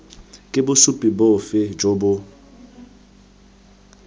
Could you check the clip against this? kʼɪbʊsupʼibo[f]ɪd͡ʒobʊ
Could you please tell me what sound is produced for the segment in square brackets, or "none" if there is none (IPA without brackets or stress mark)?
f